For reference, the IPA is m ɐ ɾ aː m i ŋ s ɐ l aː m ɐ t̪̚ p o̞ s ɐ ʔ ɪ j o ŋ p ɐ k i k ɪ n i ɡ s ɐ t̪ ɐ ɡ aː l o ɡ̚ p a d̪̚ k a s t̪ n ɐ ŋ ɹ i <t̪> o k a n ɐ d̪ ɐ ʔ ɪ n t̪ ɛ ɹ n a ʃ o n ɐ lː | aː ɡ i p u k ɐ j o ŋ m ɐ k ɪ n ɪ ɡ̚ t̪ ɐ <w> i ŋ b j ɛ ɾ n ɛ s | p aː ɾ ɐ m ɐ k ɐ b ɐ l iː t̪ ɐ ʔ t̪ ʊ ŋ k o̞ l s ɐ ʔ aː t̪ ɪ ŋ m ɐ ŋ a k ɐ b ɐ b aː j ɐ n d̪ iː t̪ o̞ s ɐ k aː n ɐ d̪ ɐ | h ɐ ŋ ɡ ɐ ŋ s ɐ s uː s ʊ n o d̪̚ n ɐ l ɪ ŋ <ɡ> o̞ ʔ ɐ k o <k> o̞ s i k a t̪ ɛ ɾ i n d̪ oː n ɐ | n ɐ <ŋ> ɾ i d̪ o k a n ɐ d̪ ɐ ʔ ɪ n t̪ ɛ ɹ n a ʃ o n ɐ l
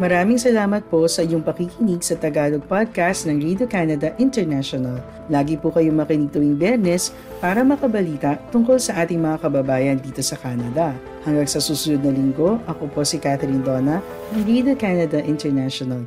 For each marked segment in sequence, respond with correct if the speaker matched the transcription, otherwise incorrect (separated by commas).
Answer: incorrect, correct, correct, incorrect, correct